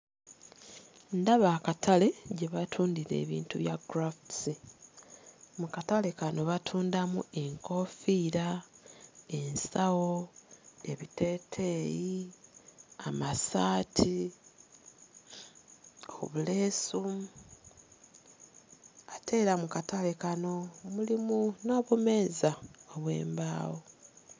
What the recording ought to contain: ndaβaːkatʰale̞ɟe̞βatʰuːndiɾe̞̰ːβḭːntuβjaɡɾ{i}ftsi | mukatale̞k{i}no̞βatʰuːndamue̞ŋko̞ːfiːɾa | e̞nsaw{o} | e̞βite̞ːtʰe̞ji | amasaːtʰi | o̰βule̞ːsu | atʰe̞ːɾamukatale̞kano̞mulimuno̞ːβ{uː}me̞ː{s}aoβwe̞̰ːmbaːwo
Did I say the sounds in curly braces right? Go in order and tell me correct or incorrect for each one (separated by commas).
incorrect, incorrect, correct, incorrect, incorrect